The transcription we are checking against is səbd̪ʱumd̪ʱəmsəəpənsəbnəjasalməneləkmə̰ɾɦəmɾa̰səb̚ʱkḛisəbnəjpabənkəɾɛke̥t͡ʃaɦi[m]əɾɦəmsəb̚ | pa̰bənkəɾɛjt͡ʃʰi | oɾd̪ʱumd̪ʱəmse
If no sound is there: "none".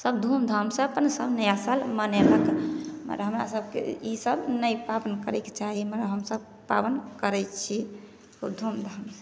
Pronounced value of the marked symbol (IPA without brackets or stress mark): m